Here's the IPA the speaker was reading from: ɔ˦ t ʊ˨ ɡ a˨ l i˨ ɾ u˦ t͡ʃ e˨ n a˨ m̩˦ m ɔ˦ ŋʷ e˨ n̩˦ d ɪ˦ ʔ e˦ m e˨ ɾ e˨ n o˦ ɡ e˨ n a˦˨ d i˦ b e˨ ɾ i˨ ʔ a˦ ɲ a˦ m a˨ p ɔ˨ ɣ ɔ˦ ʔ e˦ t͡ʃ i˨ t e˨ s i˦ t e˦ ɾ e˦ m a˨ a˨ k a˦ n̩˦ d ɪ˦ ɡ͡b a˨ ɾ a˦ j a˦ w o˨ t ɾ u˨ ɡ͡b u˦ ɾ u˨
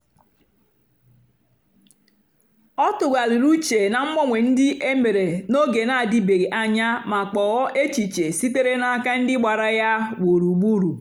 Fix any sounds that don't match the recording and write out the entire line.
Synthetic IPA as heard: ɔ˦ t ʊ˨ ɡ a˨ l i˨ ɾ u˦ t͡ʃ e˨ n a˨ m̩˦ m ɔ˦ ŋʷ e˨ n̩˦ d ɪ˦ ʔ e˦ m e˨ ɾ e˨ n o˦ ɡ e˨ n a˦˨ d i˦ b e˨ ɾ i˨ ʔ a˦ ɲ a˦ m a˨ k͡p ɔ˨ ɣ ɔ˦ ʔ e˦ t͡ʃ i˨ t͡ʃ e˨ s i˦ t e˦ ɾ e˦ n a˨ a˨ k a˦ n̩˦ d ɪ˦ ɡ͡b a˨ ɾ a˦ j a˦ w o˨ ɾ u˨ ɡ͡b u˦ ɾ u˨

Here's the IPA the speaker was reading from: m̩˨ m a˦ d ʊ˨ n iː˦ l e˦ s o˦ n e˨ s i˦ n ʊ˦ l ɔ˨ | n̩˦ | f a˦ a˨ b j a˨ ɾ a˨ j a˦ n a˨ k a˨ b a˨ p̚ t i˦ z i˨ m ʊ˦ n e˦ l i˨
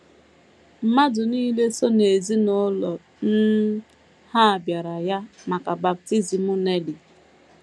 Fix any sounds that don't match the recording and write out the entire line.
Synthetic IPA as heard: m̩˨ m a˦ d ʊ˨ n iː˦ l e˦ s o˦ n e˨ z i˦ n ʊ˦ l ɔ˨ | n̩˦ | h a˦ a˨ b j a˨ ɾ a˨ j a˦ m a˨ k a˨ b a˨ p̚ t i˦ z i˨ m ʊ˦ n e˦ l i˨

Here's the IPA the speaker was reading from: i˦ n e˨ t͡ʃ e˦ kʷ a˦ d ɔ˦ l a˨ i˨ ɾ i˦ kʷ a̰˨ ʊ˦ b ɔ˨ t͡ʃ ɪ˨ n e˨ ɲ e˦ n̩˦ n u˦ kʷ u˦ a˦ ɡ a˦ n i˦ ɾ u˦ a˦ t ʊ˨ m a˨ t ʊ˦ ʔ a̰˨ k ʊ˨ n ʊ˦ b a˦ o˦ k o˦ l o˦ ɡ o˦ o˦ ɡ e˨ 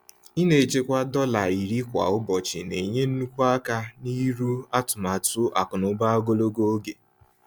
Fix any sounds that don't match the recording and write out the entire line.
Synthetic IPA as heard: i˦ n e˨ t͡ʃ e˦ kʷ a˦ d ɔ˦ l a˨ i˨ ɾ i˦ kʷ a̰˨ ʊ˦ b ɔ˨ t͡ʃ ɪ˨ n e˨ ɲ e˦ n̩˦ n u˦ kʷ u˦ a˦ k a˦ n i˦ ɾ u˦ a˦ t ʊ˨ m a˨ t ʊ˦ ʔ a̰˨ k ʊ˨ n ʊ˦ b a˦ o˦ ɡ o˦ l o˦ ɡ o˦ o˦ ɡ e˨

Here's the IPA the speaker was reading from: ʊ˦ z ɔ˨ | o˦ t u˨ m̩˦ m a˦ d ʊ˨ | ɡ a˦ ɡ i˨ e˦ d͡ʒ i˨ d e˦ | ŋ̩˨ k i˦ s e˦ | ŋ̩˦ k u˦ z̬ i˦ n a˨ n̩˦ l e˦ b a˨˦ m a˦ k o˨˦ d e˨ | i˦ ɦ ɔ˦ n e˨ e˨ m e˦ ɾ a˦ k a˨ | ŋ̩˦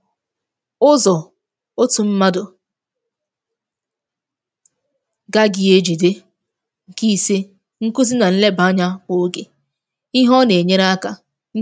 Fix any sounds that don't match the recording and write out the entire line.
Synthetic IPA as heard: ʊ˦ z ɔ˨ | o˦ t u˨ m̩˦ m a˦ d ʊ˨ | ɡ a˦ ɡ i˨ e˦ d͡ʒ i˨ d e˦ | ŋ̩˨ k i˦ s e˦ | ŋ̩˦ k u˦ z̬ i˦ n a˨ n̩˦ l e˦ b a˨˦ ɲ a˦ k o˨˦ ɡ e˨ | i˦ ɦ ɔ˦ n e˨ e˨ ɲ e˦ ɾ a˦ k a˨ | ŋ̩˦

